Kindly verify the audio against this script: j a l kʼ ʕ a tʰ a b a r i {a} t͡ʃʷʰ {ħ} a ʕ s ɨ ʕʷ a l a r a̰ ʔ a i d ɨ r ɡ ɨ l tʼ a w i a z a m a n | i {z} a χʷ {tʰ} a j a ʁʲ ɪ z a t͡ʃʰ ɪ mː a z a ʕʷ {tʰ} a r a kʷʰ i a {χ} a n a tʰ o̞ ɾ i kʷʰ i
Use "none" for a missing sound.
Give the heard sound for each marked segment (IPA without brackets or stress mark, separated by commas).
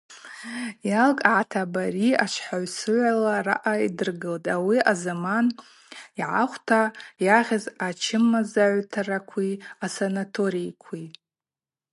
a, ħ, ʕ, tʰ, tʰ, s